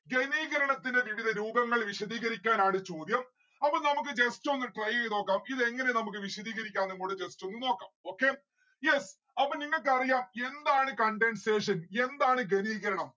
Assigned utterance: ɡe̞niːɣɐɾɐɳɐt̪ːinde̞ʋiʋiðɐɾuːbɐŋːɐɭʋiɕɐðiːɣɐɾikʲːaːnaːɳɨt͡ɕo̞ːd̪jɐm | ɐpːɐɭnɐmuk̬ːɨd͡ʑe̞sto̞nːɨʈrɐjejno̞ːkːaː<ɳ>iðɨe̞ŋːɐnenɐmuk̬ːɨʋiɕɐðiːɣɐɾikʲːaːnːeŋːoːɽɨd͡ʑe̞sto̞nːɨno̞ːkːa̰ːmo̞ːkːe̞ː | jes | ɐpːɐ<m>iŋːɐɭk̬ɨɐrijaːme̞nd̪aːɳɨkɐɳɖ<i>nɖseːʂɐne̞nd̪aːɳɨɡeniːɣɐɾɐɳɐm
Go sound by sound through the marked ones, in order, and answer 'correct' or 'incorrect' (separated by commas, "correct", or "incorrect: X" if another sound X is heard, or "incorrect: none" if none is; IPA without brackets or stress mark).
incorrect: m, incorrect: n, incorrect: e